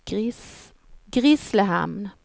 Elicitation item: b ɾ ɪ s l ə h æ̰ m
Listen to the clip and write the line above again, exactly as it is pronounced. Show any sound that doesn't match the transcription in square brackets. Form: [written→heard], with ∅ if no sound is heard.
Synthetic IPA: [b→ɡ] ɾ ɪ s l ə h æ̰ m